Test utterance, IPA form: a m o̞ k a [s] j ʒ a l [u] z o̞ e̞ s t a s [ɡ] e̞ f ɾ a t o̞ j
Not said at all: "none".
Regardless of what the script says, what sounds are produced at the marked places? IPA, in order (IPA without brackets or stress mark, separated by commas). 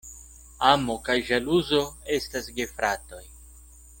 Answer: none, u, ɡ